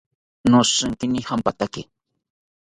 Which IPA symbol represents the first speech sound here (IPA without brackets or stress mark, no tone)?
n